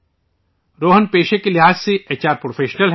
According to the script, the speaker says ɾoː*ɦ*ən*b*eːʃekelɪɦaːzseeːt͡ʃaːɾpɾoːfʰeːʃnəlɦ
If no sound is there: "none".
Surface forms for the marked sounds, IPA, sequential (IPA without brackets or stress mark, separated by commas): ɦ, p